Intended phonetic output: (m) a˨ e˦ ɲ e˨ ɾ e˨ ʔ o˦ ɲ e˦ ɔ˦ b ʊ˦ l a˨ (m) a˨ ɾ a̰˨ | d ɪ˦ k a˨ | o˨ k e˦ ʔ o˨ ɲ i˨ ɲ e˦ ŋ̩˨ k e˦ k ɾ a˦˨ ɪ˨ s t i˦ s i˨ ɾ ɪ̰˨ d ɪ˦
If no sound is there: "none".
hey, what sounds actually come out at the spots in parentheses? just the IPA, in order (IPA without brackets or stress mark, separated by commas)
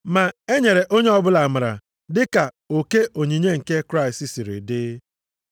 m, m